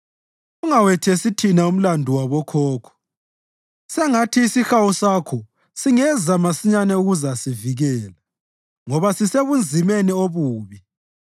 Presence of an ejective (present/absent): absent